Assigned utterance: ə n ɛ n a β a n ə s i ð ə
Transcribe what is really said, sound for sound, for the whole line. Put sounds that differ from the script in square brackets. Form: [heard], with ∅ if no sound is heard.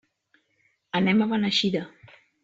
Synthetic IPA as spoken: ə n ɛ [m] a β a n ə [ʃ] i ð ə